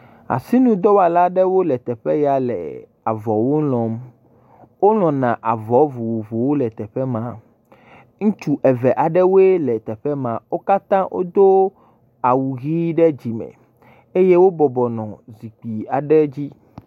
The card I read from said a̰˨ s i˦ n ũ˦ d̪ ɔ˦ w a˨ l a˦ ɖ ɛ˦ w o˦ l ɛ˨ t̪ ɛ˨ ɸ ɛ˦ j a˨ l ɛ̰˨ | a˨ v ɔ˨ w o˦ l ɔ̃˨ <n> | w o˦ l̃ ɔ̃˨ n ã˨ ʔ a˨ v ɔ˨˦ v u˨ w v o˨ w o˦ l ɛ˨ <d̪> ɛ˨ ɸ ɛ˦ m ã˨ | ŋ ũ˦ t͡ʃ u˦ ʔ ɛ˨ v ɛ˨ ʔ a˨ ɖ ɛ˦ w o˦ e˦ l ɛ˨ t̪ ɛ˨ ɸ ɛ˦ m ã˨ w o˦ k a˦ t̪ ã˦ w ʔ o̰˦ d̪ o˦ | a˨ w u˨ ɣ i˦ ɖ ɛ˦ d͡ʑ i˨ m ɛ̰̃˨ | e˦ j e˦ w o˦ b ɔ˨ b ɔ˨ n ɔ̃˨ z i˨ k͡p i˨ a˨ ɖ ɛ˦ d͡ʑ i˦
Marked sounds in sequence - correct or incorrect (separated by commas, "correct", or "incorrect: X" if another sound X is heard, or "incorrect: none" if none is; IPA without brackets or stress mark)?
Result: incorrect: m, incorrect: t̪